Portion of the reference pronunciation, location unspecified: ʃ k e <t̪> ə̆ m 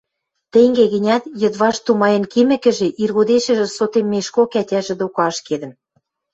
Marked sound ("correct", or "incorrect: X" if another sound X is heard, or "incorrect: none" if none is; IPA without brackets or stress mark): incorrect: d̪